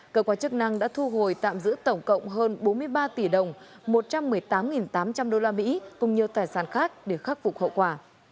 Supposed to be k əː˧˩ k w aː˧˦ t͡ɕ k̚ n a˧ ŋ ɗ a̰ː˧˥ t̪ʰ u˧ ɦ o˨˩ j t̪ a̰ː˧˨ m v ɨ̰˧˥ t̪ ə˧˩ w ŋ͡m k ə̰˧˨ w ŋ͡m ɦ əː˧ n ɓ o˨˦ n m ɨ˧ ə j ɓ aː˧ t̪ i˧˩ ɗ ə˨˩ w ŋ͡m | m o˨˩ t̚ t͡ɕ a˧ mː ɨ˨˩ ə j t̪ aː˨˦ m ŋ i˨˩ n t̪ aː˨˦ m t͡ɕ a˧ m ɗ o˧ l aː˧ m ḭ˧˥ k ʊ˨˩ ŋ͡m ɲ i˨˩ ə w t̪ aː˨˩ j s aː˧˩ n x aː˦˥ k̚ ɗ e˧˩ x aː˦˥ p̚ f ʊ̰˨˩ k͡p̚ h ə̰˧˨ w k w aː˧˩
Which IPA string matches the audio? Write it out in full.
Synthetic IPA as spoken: k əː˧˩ k w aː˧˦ t͡ɕ k̚ n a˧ ŋ ɗ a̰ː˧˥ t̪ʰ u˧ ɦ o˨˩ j t̪ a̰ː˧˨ m z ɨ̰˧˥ t̪ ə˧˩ w ŋ͡m k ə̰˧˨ w ŋ͡m ɦ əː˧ n ɓ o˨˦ n m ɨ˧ ə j ɓ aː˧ t̪ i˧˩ ɗ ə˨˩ w ŋ͡m | m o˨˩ t̚ t͡ɕ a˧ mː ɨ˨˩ ə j t̪ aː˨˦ m ŋ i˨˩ n t̪ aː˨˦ m t͡ɕ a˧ m ɗ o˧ l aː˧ m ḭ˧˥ k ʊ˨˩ ŋ͡m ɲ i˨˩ ə w t̪ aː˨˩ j s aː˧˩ n x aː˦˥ k̚ ɗ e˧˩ x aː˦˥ k̚ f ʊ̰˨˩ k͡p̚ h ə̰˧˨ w k w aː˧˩